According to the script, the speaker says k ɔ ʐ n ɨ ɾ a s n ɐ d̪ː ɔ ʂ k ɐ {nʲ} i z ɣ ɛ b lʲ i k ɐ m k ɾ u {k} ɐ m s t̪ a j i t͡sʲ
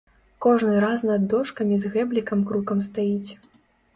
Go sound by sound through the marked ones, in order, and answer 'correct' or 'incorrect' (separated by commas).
incorrect, correct